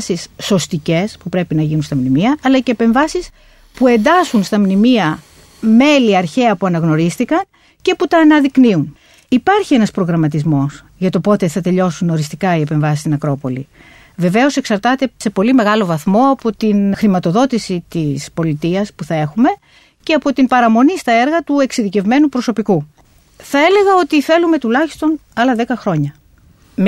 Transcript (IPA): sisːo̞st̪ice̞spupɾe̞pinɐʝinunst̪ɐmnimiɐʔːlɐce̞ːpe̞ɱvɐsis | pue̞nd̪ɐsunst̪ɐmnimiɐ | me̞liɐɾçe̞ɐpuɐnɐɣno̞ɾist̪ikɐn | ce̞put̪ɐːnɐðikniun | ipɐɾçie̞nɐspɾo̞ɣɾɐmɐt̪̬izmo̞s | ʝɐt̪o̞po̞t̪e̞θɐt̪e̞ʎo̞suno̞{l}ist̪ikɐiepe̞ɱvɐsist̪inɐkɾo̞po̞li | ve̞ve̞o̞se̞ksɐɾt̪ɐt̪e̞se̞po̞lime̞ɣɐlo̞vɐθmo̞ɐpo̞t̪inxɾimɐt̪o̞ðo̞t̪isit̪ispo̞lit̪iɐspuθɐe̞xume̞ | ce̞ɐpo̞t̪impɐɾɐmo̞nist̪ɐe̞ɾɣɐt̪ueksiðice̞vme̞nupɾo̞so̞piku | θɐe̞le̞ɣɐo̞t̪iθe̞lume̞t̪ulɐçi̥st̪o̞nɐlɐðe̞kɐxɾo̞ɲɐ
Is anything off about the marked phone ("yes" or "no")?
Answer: yes